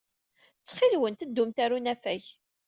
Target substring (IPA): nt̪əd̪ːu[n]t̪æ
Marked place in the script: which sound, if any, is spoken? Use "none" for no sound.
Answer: m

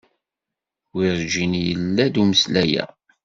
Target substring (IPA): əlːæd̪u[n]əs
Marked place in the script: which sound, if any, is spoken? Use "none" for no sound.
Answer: m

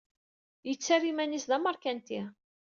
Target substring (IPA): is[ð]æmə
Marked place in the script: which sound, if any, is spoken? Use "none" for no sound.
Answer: ð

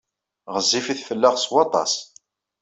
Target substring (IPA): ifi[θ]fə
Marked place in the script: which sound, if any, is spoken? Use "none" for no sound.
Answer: θ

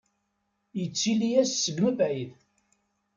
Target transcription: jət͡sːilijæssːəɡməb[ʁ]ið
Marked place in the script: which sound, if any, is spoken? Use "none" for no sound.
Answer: ʕ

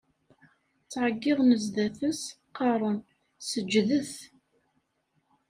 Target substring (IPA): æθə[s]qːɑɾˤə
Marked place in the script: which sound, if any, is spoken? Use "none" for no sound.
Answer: s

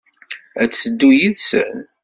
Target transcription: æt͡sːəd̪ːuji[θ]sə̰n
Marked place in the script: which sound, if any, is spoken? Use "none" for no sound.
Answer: ð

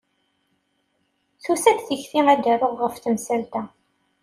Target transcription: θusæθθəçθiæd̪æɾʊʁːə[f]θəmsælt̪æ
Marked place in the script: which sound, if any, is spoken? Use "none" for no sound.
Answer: f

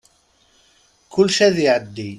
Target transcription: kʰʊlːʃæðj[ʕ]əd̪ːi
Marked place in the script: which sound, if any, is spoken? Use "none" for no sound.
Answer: ʕ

